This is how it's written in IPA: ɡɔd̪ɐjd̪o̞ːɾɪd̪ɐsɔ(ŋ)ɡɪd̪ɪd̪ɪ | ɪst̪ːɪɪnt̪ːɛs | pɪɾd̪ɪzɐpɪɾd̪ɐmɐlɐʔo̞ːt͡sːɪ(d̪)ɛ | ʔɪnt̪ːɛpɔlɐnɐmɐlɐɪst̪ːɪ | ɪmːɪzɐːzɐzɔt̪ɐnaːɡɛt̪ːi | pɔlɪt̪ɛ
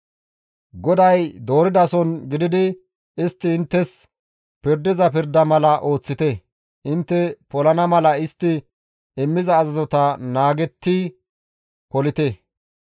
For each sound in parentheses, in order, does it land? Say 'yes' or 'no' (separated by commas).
no, no